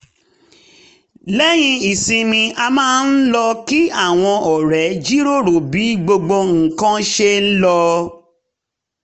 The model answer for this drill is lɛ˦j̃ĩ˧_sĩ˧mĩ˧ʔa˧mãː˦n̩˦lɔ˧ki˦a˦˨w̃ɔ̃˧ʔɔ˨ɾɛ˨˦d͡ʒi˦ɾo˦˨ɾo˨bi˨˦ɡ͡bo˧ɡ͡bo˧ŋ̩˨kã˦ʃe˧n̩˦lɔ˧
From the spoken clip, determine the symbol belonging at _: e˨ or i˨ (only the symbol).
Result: i˨